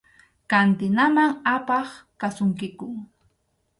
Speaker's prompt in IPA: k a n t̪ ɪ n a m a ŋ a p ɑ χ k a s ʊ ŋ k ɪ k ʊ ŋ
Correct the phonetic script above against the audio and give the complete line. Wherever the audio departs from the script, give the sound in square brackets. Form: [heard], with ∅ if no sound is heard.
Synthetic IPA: k a n t̪ ɪ n a m a ŋ a p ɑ χ k a s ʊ ŋ k ɪ k ʊ ŋ